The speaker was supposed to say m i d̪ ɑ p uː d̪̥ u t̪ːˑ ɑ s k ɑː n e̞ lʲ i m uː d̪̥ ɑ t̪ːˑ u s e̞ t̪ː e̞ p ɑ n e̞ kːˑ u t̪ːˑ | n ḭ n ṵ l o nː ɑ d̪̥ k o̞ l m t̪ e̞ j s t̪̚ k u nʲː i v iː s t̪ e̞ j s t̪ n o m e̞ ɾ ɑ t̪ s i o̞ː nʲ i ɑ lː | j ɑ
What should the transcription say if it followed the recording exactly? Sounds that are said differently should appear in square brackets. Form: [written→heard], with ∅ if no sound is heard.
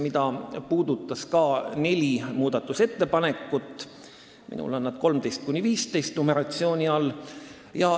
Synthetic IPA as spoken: m i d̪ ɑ p uː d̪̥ u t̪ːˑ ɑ s k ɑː n e̞ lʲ i m uː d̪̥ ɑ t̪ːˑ u s e̞ t̪ː e̞ p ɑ n e̞ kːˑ u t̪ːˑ | [n→m] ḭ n ṵ l o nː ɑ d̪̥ k o̞ l m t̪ e̞ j s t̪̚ k u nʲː i v iː s t̪ e̞ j s t̪ n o m e̞ ɾ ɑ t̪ s i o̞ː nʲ i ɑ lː | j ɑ